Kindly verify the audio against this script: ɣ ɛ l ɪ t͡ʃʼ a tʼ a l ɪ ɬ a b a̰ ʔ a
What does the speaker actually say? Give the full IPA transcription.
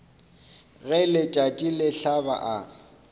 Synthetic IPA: ɣ ɛ l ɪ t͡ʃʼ a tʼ i l ɪ ɬ a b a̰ ʔ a